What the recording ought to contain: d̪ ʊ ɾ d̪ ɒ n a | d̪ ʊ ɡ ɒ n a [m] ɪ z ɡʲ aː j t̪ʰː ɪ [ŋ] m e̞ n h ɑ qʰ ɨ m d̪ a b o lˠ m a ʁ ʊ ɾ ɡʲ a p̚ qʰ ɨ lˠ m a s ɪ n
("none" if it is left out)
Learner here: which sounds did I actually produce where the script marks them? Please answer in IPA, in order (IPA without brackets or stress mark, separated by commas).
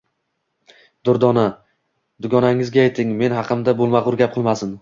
ŋ, ŋ